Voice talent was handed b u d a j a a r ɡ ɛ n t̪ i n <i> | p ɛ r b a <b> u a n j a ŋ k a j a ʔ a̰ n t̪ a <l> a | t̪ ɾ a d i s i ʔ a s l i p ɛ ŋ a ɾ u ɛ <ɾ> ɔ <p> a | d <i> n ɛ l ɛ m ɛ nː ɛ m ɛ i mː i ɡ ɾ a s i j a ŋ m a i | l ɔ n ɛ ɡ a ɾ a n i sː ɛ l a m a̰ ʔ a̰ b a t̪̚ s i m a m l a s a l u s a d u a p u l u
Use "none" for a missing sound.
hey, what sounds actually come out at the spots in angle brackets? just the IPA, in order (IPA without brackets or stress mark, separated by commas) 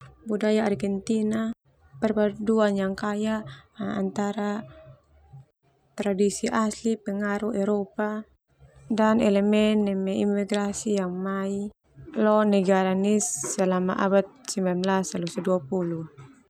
a, d, ɾ, ɾ, p, a